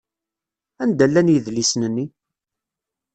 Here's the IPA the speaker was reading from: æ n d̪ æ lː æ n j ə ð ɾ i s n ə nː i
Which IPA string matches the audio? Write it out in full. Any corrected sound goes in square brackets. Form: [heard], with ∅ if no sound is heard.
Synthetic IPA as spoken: æ n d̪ æ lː æ n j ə ð [l] i s n ə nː i